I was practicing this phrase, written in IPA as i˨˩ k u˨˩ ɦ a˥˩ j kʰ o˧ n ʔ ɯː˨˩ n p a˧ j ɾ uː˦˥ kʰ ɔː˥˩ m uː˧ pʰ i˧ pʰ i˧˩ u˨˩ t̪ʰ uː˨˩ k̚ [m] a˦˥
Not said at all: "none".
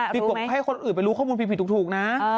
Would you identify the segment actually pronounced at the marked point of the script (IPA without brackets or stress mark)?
n